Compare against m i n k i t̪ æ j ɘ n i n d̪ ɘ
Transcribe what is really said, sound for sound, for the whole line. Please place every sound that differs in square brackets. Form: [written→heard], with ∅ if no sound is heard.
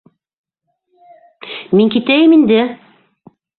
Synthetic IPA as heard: m i [n→ŋ] k i t̪ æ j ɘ [n→m] i n d̪ ɘ